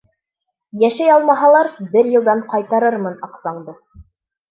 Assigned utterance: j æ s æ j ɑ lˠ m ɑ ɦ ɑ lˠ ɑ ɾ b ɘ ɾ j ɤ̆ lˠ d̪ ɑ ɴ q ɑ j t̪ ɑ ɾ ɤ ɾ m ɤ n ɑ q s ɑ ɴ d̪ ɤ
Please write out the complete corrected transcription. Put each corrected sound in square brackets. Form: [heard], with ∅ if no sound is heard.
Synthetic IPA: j æ [ʃ] æ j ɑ lˠ m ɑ ɦ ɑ lˠ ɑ ɾ b ɘ ɾ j ɤ̆ lˠ d̪ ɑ ɴ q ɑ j t̪ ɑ ɾ ɤ ɾ m ɤ n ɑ q s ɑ ɴ d̪ ɤ